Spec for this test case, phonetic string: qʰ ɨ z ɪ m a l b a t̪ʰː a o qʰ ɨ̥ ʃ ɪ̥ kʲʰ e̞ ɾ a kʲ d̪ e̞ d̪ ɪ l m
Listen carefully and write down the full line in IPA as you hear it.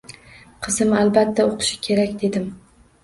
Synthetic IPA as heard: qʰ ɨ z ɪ m a l b a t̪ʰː a o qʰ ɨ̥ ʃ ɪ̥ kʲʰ e̞ ɾ a kʲ d̪ e̞ d̪ ɪ m